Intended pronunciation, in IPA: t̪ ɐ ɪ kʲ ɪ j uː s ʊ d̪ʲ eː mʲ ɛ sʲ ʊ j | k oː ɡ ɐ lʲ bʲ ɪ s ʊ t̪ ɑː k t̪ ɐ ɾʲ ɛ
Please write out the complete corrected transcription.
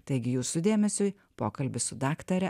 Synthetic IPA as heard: t̪ ɐ ɪ ɡʲ ɪ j uː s ʊ d̪ʲ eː mʲ ɛ sʲ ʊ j | p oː k ɐ lʲ bʲ ɪ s ʊ d̪ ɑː k t̪ ɐ ɾʲ ɛ